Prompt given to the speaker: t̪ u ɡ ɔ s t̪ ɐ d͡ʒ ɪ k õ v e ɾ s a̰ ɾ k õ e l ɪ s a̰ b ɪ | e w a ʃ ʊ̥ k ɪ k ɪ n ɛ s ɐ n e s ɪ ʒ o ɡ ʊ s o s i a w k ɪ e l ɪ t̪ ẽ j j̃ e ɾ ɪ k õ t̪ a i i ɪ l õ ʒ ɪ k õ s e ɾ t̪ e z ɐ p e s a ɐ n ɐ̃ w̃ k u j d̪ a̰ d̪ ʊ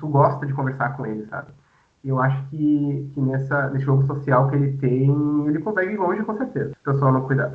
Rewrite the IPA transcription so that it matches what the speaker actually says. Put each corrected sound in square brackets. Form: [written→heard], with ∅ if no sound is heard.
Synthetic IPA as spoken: t̪ u ɡ ɔ s t̪ ɐ d͡ʒ ɪ k õ v e ɾ s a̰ ɾ k õ e l ɪ s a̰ b ɪ | e w a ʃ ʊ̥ k ɪ k ɪ n ɛ s ɐ n e s ɪ ʒ o ɡ ʊ s o s i a w k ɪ e l ɪ t̪ ẽ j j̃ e [ɾ→l] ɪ k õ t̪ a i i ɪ l õ ʒ ɪ k õ s e ɾ t̪ e z ɐ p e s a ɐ n ɐ̃ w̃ k u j d̪ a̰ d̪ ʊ

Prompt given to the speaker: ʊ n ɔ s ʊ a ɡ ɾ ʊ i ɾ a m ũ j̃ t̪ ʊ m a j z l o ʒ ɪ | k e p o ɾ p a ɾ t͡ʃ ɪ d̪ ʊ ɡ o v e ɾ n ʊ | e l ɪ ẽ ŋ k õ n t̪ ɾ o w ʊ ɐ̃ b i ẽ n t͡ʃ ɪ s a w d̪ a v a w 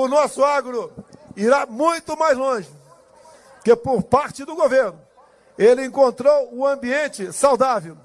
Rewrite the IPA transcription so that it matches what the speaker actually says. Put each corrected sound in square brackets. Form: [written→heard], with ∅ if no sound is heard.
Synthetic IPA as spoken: ʊ n ɔ s ʊ a ɡ ɾ ʊ i ɾ a m ũ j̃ t̪ ʊ m a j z l [o→õ] ʒ ɪ | k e p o ɾ p a ɾ t͡ʃ ɪ d̪ ʊ ɡ o v e ɾ n ʊ | e l ɪ ẽ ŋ k õ n t̪ ɾ o w ʊ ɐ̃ b i ẽ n t͡ʃ ɪ s a w d̪ a v [a→e] w

